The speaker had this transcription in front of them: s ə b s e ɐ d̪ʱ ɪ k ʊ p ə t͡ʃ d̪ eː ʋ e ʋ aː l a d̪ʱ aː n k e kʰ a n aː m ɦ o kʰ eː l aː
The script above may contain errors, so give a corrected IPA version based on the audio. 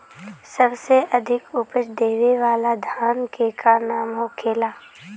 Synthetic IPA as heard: s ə b s e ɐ d̪ʱ ɪ k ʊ p ə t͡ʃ d̪ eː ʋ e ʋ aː l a d̪ʱ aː n k e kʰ a n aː m ɦ o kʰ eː l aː